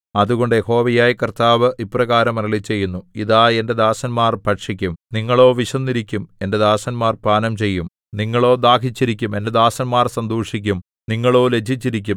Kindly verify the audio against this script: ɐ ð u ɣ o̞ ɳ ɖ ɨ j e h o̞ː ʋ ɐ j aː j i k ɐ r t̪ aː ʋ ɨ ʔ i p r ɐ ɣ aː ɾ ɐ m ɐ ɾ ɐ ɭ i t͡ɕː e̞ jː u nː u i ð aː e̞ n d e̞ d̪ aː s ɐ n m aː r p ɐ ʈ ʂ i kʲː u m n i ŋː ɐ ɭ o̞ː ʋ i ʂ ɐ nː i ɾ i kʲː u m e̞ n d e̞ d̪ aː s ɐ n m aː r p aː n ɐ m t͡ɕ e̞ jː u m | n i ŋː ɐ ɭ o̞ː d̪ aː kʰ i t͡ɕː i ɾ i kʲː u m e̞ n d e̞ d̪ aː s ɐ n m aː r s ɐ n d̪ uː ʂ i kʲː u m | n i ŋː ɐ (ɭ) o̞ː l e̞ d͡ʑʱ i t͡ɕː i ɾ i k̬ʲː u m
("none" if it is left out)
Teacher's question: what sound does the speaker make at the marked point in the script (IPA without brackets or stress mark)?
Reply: ɭ